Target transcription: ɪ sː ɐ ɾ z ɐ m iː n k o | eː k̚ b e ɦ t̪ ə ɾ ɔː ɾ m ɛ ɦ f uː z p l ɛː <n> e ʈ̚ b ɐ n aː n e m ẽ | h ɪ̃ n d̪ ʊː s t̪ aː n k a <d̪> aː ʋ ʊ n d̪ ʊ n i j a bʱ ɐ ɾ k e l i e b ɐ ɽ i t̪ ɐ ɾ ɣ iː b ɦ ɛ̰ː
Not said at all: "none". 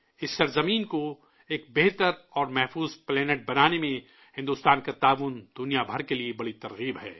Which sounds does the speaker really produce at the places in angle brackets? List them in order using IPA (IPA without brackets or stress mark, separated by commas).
n, t̪